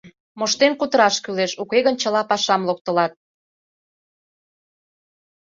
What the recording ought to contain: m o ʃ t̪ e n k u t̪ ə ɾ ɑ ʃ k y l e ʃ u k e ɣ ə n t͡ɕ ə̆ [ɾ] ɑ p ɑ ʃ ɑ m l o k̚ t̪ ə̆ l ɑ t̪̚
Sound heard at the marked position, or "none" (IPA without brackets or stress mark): l